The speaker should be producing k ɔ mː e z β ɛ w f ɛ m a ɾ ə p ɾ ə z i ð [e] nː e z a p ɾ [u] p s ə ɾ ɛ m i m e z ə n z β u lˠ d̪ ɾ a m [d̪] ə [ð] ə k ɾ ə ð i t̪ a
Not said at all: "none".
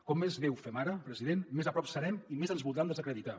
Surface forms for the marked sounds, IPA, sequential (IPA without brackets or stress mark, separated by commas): e, ɔ, d̪, z